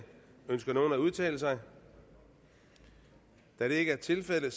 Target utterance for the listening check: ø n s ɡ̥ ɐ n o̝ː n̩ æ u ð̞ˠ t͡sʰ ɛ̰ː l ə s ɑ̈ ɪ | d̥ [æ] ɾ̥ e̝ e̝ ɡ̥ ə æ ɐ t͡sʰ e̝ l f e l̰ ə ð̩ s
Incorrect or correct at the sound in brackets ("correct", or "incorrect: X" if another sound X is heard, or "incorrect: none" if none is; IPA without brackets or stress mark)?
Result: correct